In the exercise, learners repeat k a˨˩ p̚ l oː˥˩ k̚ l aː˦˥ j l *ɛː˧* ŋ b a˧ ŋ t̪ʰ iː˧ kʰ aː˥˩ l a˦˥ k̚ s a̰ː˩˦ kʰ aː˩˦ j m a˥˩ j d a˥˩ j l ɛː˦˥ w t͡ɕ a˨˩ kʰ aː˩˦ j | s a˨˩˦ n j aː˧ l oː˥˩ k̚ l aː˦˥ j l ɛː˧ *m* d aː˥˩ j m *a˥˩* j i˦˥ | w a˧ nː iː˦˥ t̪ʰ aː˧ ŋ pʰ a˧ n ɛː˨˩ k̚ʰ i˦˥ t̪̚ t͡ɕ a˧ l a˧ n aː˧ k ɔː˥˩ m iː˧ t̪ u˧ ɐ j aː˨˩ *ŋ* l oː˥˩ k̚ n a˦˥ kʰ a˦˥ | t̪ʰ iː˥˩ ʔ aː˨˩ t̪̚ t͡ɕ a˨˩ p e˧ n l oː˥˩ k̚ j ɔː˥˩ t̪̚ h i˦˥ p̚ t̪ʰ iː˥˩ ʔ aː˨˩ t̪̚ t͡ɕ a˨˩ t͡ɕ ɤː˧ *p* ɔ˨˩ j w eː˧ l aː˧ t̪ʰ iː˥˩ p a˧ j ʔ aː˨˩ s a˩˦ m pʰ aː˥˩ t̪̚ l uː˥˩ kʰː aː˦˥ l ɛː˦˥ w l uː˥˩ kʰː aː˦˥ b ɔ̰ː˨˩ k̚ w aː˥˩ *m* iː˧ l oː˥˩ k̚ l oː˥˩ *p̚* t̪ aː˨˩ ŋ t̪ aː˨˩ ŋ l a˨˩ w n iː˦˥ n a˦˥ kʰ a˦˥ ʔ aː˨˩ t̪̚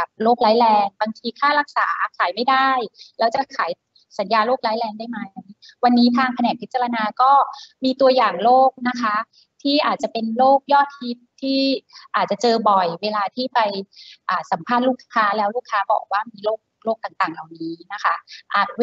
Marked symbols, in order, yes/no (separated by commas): yes, no, no, yes, no, yes, no